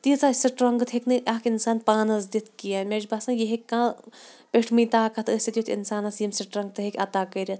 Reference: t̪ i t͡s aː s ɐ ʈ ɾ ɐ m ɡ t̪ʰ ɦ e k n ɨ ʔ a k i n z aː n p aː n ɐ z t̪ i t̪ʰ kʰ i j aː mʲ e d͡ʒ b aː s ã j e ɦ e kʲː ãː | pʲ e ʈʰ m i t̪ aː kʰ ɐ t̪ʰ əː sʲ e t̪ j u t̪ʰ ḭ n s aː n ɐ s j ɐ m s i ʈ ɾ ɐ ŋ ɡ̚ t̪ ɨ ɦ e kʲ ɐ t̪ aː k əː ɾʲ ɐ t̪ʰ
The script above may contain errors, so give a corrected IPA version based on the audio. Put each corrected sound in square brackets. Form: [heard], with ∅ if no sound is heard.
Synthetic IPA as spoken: t̪ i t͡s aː s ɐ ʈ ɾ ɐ [ŋ] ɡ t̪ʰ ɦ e k n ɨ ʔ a k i n [s] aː n p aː n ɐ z [d̪] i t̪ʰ [k] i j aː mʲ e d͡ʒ b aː s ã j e ɦ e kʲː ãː | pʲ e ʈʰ m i t̪ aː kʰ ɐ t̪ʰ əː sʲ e t̪ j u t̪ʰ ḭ n s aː n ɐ s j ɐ m s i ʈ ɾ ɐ ŋ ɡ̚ t̪ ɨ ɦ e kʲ ɐ t̪ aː k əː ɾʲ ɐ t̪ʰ